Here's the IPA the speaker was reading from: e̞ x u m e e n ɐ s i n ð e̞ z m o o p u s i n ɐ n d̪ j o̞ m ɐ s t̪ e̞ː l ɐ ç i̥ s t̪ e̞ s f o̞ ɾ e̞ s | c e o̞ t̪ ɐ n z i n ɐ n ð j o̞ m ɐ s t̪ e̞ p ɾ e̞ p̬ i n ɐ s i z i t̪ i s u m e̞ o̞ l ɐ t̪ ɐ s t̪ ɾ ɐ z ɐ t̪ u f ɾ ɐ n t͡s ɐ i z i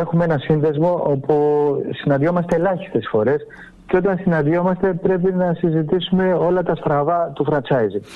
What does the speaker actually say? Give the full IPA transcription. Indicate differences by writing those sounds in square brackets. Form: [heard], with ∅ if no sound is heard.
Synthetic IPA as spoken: e̞ x u m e e n ɐ s i n ð e̞ z m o o p u s i n ɐ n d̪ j o̞ m ɐ s t̪ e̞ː l ɐ ç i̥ s t̪ e̞ s f o̞ ɾ e̞ s | c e o̞ t̪ ɐ n [s] i n ɐ n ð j o̞ m ɐ s t̪ e̞ p ɾ e̞ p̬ i n ɐ s i z i t̪ i s u m e̞ o̞ l ɐ t̪ ɐ s t̪ ɾ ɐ [v] ɐ t̪ u f ɾ ɐ n t͡s ɐ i z i